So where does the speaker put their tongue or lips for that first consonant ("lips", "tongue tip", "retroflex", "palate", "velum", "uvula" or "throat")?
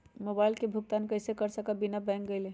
lips